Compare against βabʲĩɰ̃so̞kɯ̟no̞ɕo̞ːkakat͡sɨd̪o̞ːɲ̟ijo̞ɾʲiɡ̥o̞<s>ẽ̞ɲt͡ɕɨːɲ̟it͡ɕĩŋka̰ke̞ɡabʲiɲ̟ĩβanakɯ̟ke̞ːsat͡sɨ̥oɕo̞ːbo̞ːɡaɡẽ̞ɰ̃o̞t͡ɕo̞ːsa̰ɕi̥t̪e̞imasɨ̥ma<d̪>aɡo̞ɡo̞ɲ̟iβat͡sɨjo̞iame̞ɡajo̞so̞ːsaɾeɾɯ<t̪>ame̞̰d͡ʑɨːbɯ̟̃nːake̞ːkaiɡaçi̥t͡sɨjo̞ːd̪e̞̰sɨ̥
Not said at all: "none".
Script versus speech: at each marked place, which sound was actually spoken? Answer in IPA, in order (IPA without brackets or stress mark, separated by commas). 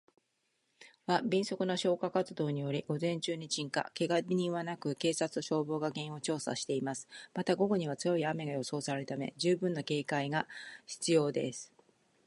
z, t̪, t̪